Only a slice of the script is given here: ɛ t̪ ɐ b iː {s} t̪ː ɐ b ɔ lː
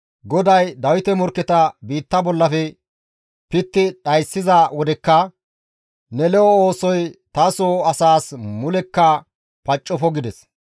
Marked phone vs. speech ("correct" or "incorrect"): incorrect